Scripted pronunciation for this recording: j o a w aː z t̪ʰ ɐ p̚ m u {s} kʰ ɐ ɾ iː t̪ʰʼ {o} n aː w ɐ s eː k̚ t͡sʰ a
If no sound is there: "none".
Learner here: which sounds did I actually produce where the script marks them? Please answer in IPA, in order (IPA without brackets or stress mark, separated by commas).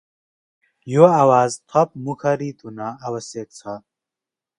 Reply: none, u